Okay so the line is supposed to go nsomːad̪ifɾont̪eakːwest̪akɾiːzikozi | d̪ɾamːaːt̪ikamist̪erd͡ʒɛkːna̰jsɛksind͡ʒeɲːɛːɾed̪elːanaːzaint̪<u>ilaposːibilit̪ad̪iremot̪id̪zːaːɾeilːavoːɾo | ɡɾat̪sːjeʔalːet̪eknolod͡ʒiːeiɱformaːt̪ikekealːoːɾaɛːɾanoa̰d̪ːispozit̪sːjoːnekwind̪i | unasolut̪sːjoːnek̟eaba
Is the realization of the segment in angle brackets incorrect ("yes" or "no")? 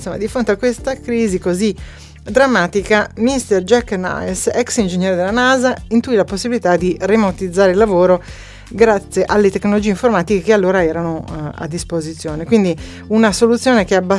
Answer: no